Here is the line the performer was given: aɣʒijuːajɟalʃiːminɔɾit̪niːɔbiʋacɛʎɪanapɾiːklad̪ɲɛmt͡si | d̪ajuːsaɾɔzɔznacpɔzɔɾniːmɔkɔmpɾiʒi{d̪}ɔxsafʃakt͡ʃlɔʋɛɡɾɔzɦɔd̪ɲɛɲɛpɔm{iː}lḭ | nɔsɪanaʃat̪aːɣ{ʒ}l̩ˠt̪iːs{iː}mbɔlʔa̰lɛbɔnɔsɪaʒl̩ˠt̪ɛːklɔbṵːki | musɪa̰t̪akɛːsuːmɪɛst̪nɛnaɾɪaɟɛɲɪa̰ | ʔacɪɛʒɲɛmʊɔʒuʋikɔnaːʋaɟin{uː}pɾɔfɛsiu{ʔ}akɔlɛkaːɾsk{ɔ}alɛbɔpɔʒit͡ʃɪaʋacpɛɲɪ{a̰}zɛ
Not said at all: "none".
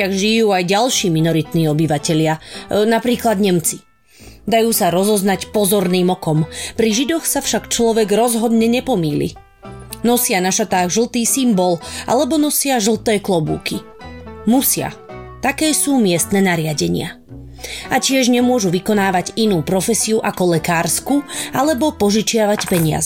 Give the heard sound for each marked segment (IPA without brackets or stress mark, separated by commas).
d̪, iː, ʒ, i, uː, ʔ, u, a̰